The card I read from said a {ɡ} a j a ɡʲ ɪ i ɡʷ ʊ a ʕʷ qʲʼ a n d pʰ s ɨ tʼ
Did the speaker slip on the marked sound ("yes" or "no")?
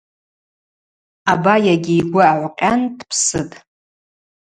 yes